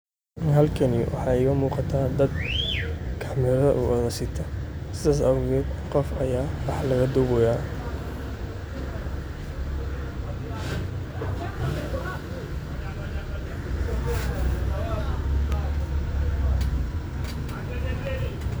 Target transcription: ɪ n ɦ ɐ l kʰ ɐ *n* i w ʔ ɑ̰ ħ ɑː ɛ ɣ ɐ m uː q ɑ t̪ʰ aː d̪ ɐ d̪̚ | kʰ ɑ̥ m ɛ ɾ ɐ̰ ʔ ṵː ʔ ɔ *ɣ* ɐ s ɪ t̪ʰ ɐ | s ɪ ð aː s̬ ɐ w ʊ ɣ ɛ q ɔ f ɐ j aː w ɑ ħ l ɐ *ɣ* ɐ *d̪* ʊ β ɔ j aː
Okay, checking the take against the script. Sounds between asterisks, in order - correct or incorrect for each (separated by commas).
correct, incorrect, correct, correct